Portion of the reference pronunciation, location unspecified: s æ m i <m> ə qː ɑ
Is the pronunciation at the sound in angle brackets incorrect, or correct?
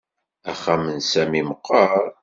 correct